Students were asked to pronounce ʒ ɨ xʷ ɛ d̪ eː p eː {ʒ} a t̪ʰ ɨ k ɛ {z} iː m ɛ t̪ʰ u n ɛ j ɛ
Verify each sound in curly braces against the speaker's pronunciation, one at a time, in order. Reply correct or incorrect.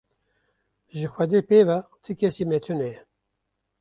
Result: incorrect: v, incorrect: s

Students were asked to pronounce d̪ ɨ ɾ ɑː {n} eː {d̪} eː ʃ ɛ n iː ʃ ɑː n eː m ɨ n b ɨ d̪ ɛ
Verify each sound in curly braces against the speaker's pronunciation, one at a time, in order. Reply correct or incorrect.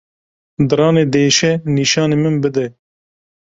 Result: correct, correct

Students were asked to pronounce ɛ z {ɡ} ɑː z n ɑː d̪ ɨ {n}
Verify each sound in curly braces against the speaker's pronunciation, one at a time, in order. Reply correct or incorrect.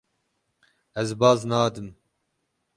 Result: incorrect: b, incorrect: m

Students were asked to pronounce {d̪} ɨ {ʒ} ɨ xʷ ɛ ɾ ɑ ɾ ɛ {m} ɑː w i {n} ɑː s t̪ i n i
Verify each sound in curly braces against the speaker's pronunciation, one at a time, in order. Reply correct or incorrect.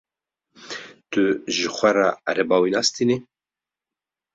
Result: incorrect: t̪, correct, incorrect: b, correct

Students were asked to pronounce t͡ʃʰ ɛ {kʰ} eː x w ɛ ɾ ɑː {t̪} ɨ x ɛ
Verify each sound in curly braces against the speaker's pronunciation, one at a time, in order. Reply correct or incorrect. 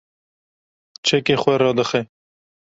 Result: incorrect: k, incorrect: d̪

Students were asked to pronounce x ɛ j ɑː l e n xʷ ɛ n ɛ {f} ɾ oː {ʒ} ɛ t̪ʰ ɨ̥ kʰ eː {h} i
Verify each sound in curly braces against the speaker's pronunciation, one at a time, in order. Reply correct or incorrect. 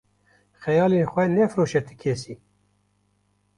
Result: correct, incorrect: ʃ, incorrect: s

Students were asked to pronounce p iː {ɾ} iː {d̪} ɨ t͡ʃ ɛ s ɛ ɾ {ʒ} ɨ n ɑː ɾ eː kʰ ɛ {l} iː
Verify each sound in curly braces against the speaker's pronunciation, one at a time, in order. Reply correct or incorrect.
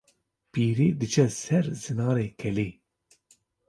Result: correct, correct, incorrect: z, correct

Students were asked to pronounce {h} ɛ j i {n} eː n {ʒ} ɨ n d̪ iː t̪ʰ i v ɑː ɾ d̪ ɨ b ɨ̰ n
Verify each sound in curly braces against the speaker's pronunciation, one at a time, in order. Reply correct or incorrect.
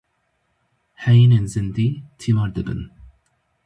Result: correct, correct, incorrect: z

